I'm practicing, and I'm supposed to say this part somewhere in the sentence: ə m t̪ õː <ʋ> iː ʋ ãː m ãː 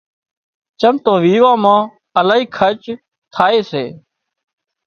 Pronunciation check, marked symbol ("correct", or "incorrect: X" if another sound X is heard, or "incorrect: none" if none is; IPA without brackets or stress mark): correct